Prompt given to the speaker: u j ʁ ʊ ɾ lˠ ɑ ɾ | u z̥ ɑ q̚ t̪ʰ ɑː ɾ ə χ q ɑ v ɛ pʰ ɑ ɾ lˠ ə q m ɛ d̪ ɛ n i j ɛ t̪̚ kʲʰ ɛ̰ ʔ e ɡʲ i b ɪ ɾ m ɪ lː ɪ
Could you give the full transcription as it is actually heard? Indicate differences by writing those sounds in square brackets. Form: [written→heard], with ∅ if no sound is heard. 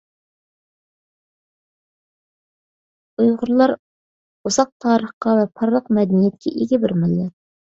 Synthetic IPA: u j ʁ ʊ ɾ lˠ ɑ ɾ | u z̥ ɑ q̚ t̪ʰ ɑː ɾ ə χ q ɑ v ɛ pʰ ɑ ɾ lˠ ə q m ɛ d̪ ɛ n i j ɛ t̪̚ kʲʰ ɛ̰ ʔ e ɡʲ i b ɪ ɾ m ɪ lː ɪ